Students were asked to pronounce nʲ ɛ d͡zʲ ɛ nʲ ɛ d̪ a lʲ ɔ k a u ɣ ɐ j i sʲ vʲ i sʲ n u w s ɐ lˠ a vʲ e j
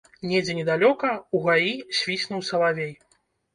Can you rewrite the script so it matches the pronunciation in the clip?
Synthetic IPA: nʲ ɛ d͡zʲ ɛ nʲ ɛ d̪ a lʲ ɔ k ɐ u ɣ a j i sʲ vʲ i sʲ n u w s ɐ lˠ a vʲ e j